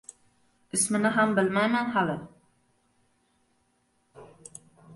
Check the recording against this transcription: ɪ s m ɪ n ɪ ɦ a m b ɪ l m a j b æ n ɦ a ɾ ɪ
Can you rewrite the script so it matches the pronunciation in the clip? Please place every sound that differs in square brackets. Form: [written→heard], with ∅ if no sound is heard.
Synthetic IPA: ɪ s m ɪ n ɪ ɦ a m b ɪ l m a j [b→m] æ n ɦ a [ɾ→l] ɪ